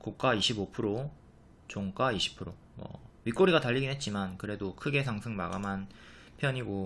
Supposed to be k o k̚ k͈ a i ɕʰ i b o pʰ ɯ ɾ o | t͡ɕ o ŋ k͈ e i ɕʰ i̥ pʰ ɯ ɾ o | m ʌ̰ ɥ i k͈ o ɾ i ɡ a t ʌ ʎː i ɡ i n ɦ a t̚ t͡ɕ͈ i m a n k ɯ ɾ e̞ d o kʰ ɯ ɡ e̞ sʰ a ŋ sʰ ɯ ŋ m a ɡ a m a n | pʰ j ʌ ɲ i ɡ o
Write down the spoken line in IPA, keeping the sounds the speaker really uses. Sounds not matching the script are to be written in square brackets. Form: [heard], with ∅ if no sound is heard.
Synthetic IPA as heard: k o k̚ k͈ a i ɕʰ i b o pʰ ɯ ɾ o | t͡ɕ o ŋ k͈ [a] i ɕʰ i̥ pʰ ɯ ɾ o | m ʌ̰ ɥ i k͈ o ɾ i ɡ a t [a] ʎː i ɡ i n ɦ [e] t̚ t͡ɕ͈ i m a n k ɯ ɾ e̞ d o kʰ ɯ ɡ e̞ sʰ a ŋ sʰ ɯ ŋ m a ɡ a m a n | pʰ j ʌ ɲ i ɡ o